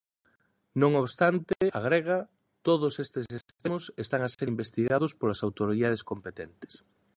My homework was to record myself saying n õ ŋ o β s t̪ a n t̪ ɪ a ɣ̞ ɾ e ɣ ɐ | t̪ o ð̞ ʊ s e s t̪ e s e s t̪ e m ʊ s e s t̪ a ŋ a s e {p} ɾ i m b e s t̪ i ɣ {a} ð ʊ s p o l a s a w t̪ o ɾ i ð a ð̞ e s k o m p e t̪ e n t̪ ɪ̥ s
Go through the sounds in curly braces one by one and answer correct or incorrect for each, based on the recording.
incorrect: none, correct

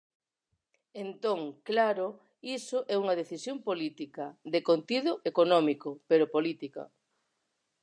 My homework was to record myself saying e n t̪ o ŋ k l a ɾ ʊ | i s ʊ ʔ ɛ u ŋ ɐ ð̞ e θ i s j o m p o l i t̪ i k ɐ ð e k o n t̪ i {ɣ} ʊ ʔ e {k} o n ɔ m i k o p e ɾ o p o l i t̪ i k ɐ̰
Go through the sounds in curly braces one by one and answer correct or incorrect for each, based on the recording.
incorrect: ð, correct

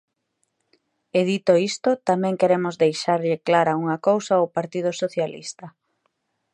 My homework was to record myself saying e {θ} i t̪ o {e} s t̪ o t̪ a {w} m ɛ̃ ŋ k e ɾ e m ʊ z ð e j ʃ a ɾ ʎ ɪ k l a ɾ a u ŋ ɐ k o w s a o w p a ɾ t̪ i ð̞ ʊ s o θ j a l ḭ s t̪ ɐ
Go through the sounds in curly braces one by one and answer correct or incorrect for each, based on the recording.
incorrect: ð, incorrect: i, incorrect: none

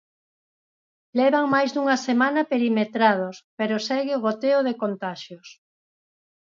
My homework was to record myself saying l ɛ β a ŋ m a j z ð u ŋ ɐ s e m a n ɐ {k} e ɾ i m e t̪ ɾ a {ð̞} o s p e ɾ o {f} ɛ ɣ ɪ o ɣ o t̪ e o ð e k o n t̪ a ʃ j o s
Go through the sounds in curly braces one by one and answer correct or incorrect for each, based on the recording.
incorrect: p, correct, incorrect: s

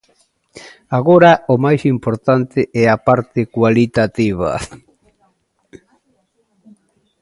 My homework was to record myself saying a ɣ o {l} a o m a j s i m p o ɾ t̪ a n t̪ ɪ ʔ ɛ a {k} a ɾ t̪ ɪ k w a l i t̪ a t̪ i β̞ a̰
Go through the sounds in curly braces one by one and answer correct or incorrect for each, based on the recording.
incorrect: ɾ, incorrect: p

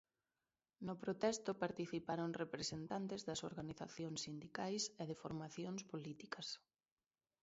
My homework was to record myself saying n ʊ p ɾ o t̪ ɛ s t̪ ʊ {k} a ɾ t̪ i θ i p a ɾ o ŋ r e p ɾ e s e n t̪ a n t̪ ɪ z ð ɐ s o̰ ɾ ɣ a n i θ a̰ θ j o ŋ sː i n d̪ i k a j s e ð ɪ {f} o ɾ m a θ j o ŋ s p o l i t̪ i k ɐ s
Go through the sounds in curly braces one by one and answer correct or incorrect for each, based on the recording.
incorrect: p, correct

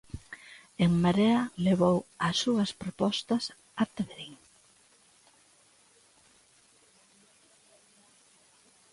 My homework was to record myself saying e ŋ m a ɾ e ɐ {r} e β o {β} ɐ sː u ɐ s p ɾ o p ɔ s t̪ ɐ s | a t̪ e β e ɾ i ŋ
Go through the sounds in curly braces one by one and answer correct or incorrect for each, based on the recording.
incorrect: l, incorrect: w

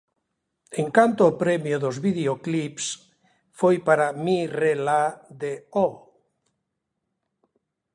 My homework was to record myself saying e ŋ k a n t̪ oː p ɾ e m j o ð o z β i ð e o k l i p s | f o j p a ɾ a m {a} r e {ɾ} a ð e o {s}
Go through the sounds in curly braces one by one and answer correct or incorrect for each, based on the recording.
incorrect: i, incorrect: l, incorrect: none

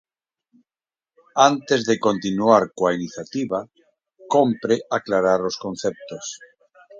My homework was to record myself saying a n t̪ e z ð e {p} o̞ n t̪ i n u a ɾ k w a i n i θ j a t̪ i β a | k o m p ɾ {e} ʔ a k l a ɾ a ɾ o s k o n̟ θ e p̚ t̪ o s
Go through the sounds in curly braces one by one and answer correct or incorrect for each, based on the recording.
incorrect: k, correct

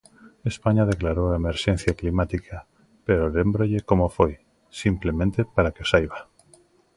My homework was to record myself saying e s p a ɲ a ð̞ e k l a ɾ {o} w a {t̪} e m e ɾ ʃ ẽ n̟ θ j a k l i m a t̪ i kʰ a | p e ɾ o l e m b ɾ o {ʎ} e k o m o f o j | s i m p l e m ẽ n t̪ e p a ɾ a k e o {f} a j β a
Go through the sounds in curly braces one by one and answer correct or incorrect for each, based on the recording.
correct, incorrect: none, correct, incorrect: s

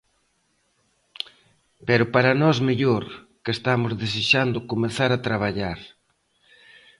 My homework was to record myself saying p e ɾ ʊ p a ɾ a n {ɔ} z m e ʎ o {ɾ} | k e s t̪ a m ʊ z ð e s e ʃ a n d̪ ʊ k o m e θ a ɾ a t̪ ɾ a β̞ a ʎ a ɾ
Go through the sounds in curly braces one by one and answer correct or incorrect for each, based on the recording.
correct, correct

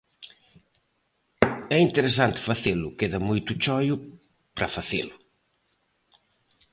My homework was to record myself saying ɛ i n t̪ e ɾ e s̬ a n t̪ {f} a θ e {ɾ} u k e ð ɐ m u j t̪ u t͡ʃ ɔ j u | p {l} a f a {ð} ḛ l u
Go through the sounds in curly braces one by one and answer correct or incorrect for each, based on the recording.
correct, incorrect: l, incorrect: ɾ, incorrect: θ

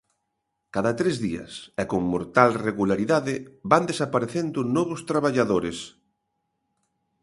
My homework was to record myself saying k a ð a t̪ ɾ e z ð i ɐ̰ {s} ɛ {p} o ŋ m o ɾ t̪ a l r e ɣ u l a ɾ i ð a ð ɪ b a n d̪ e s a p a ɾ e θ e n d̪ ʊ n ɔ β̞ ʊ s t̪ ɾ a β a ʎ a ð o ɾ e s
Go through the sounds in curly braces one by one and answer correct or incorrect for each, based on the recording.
correct, incorrect: k

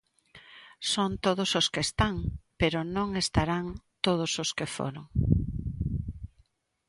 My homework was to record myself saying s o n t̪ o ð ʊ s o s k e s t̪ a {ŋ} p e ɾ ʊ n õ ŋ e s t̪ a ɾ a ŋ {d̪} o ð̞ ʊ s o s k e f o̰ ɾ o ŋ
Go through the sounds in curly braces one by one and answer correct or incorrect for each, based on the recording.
correct, incorrect: t̪

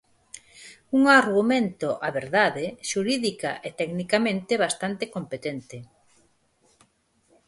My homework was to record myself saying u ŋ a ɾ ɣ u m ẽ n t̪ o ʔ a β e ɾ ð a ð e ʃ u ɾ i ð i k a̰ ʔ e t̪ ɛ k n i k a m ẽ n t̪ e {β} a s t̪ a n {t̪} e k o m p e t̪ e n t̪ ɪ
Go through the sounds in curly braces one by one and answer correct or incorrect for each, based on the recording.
correct, correct

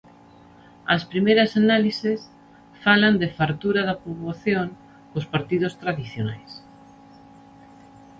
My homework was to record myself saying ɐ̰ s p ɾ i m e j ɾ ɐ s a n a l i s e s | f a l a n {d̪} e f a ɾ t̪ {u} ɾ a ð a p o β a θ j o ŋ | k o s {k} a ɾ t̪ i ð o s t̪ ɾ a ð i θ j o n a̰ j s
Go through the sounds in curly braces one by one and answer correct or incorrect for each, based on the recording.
correct, correct, incorrect: p

